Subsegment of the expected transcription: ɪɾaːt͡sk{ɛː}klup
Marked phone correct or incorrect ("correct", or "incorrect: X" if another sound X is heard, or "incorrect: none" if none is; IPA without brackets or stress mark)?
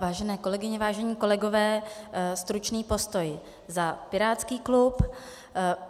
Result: incorrect: iː